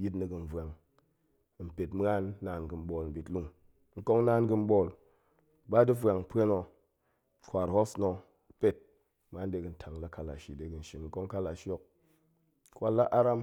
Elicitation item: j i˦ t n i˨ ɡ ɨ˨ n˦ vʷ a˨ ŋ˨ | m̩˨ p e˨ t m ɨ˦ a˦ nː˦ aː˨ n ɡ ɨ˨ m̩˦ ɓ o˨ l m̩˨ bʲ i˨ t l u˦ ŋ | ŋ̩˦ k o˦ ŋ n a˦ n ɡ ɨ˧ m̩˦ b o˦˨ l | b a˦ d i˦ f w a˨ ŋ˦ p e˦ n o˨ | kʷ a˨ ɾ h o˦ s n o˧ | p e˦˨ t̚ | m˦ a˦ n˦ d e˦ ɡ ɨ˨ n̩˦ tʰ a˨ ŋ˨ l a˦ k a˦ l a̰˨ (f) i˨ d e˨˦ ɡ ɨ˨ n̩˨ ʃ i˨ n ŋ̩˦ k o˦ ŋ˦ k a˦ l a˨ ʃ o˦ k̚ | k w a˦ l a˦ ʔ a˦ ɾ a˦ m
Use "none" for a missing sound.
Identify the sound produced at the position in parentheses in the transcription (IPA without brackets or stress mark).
ʃ